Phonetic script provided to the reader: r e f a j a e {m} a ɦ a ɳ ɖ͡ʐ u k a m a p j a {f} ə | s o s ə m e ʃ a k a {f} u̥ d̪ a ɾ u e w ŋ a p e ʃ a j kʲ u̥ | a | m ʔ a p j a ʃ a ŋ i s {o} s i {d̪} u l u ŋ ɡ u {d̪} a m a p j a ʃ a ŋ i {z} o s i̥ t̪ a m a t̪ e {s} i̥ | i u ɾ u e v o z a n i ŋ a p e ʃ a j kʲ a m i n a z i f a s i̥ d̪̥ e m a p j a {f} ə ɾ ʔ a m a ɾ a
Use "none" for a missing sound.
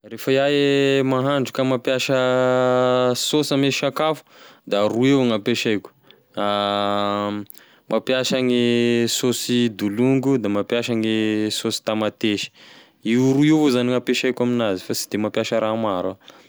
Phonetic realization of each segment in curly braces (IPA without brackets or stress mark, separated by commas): m, ʃ, f, o, d̪, d̪, s, ʃ, ʃ